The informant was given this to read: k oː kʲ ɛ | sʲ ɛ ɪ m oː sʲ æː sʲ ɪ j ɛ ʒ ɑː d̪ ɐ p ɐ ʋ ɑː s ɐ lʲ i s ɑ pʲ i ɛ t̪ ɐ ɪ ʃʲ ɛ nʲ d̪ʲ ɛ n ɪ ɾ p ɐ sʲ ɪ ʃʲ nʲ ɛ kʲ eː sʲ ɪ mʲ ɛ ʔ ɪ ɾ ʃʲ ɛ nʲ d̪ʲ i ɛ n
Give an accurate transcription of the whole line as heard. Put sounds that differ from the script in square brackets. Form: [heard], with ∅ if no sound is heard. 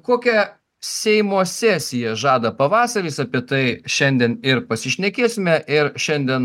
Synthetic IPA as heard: k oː kʲ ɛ | sʲ ɛ ɪ m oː sʲ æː sʲ ɪ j ɛ ʒ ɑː d̪ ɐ p ɐ ʋ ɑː s ɐ [ɾʲ] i s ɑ pʲ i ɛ t̪ ɐ ɪ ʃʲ ɛ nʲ d̪ʲ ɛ n ɪ ɾ p ɐ sʲ ɪ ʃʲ nʲ ɛ kʲ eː sʲ ɪ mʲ ɛ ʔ ɪ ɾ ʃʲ ɛ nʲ d̪ʲ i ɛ n